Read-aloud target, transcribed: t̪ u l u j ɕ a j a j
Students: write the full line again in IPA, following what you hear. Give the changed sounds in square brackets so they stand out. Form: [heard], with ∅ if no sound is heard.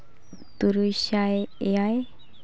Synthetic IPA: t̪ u [ɾ] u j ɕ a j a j